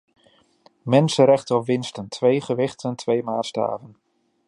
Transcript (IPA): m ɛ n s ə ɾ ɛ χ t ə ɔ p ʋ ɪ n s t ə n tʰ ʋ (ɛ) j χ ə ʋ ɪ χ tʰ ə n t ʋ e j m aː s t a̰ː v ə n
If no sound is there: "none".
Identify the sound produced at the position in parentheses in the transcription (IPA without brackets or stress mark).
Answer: e